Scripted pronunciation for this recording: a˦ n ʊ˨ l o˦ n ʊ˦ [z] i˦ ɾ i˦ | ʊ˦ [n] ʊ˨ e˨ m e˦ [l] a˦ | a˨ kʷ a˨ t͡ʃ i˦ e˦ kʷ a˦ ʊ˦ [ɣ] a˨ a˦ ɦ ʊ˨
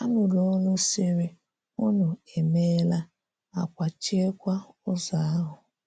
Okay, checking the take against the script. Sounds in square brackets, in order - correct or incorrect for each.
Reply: incorrect, correct, correct, incorrect

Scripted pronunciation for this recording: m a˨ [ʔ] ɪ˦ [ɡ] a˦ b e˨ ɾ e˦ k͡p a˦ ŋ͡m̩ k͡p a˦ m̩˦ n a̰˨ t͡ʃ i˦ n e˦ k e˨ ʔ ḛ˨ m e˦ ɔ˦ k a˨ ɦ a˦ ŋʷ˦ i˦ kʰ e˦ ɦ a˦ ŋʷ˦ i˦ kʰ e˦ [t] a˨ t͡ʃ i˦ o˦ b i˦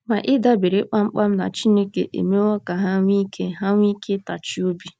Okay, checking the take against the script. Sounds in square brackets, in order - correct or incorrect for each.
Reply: correct, incorrect, correct

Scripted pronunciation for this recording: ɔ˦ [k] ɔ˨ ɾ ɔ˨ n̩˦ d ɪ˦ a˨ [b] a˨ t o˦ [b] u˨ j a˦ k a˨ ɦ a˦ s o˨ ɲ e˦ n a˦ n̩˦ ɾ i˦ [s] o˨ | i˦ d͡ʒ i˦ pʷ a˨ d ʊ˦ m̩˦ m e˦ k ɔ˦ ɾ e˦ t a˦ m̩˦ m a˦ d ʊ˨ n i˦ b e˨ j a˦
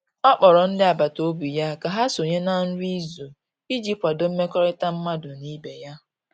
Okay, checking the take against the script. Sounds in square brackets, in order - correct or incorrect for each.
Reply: incorrect, correct, correct, incorrect

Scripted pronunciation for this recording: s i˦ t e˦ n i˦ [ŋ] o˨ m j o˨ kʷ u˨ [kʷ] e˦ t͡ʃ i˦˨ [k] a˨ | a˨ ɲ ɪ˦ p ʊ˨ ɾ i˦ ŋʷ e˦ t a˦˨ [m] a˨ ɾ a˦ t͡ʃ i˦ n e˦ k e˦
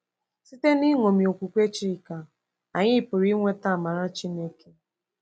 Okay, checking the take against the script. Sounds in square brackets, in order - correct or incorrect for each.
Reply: correct, correct, correct, correct

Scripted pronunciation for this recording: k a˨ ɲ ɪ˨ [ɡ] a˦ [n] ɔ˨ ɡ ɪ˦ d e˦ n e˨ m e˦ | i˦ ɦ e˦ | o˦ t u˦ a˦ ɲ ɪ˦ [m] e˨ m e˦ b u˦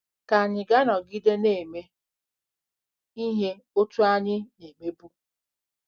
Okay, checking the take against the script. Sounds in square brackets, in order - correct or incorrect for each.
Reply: correct, correct, incorrect

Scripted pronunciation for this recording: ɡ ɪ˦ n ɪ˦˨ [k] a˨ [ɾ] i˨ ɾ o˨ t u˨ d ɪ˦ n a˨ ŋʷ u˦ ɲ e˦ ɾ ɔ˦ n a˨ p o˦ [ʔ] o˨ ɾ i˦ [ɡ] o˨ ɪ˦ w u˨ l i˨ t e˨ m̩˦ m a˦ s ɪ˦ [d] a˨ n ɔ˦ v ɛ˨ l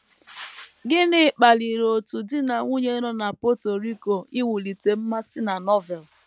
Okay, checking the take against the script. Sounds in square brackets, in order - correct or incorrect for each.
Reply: incorrect, incorrect, incorrect, incorrect, incorrect

